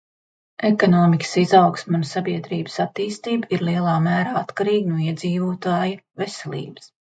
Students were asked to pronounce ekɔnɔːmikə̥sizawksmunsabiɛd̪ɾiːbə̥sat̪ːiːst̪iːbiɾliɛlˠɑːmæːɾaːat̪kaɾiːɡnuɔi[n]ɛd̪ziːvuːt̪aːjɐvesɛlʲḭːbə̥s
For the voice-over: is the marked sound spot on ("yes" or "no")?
no